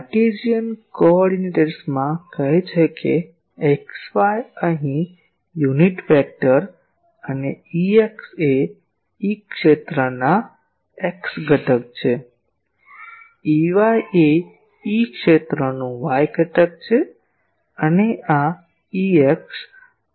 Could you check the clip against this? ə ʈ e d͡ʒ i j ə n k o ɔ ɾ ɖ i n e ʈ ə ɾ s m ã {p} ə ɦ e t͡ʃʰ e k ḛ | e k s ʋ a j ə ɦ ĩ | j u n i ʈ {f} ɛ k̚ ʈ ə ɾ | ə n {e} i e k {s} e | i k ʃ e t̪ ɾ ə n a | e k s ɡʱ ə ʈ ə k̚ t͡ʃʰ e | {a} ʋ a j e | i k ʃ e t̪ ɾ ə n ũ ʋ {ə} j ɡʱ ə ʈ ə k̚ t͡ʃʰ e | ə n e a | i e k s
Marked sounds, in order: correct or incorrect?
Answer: incorrect, correct, correct, correct, incorrect, incorrect

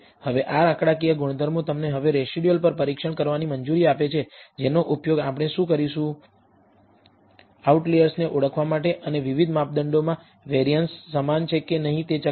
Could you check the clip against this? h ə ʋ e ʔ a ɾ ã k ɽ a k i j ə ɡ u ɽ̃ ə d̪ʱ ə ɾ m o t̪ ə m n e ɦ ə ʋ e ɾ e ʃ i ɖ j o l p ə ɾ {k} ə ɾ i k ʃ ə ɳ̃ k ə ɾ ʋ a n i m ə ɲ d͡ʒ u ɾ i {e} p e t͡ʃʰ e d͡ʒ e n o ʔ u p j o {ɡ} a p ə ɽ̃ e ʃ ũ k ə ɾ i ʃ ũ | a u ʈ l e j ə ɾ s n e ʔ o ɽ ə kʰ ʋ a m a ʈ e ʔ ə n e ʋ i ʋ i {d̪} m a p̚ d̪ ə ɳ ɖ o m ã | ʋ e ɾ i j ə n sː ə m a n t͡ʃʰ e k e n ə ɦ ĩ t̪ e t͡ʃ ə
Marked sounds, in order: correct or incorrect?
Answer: incorrect, incorrect, correct, correct

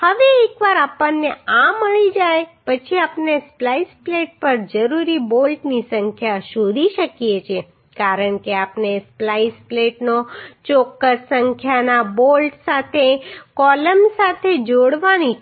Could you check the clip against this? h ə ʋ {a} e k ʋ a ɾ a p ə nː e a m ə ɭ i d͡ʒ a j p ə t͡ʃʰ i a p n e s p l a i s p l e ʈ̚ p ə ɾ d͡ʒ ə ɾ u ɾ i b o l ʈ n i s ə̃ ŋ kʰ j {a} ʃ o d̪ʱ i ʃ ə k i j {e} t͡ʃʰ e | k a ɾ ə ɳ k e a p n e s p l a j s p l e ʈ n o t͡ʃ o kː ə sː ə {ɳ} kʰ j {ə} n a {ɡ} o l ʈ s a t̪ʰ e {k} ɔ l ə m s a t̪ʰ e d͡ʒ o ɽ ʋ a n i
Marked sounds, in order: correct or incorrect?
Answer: incorrect, correct, correct, incorrect, incorrect, incorrect, correct

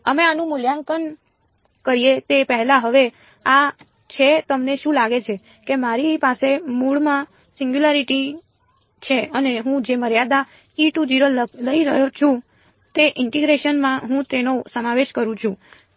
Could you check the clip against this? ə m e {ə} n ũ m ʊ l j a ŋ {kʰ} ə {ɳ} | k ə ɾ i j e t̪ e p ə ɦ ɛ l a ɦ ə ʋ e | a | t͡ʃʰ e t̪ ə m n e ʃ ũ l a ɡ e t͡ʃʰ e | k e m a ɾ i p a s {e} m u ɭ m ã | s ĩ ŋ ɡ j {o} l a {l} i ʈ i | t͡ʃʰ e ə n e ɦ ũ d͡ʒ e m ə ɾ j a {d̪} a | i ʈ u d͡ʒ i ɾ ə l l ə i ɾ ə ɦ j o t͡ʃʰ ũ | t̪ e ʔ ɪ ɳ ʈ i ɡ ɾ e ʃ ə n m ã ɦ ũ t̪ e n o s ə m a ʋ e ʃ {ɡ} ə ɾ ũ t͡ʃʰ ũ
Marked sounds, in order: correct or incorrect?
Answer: incorrect, incorrect, incorrect, correct, incorrect, incorrect, correct, incorrect

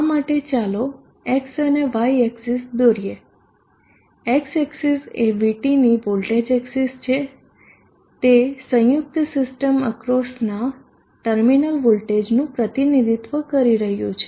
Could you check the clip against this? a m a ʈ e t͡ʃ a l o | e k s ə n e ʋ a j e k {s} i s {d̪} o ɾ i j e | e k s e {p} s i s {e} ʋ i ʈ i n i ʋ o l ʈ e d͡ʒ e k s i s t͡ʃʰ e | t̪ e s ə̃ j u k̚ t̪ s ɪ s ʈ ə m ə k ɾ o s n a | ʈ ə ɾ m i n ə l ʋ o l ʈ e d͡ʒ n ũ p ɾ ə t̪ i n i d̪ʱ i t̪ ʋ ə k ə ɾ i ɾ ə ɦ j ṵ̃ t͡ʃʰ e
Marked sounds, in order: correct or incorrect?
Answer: correct, correct, incorrect, correct

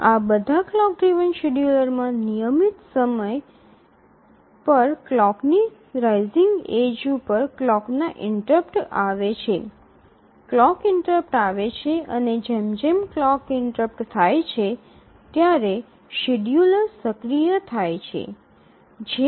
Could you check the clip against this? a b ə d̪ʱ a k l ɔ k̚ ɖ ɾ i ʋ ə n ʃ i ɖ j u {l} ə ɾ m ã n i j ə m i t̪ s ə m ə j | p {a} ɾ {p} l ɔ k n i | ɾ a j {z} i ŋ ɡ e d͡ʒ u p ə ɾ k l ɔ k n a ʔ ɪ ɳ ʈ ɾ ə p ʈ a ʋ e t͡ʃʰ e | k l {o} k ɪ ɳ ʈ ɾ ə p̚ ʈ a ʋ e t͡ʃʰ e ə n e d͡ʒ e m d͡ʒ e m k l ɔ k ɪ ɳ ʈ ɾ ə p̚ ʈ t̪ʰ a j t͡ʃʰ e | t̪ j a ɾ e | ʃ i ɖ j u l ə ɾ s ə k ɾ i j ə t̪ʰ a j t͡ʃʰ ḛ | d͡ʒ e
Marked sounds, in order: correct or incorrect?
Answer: correct, incorrect, incorrect, correct, incorrect

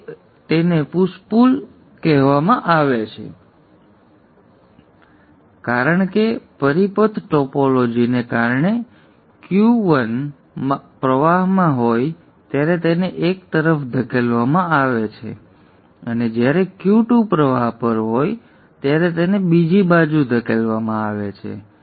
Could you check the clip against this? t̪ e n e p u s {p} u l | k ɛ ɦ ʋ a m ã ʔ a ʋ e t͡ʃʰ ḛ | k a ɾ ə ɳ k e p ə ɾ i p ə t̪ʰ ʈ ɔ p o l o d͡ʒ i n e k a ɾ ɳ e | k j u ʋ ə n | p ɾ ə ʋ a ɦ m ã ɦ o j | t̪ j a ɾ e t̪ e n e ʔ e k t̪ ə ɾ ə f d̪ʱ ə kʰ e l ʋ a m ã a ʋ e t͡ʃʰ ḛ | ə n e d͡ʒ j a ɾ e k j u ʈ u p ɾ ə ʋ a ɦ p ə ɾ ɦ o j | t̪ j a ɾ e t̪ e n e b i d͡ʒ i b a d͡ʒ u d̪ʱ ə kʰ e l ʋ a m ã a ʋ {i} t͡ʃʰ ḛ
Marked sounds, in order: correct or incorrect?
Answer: correct, incorrect

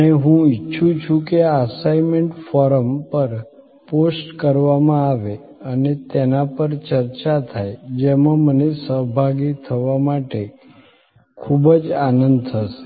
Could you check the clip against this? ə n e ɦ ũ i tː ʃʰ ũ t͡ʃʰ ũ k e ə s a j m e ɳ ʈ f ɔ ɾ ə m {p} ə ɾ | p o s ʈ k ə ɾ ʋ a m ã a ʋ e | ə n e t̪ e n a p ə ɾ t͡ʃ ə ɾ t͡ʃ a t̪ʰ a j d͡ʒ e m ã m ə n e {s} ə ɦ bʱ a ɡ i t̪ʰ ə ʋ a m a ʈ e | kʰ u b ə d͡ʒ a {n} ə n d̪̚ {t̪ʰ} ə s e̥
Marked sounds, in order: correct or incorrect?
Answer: correct, correct, correct, correct

